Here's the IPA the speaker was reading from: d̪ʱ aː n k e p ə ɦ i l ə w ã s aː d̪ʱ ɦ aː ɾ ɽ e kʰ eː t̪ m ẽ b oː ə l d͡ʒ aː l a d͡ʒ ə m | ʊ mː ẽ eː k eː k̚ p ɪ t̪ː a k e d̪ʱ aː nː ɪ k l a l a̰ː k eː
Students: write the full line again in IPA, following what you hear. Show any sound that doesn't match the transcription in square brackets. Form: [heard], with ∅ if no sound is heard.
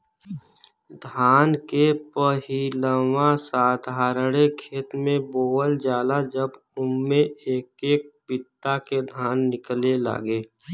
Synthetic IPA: d̪ʱ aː n k e p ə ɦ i l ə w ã s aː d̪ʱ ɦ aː ɾ ɽ e kʰ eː t̪ m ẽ b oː ə l d͡ʒ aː l a d͡ʒ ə [b] | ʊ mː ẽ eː k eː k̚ p ɪ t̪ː a k e d̪ʱ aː nː ɪ k l [e] l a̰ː [ɡ] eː